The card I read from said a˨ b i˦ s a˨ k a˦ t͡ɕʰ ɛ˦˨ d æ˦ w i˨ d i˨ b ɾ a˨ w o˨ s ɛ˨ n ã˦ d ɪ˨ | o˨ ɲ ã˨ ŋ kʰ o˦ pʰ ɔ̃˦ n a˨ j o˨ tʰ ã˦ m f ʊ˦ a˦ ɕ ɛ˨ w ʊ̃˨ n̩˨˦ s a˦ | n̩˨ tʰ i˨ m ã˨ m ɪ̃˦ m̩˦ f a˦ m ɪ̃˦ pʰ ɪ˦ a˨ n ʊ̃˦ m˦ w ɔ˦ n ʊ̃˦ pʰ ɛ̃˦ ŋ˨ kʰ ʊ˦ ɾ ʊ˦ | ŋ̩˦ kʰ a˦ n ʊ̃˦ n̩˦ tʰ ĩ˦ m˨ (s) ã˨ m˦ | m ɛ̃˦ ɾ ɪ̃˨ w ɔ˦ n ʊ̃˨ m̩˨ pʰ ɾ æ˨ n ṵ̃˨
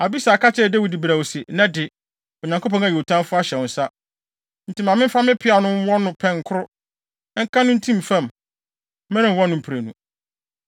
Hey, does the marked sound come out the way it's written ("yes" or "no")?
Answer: no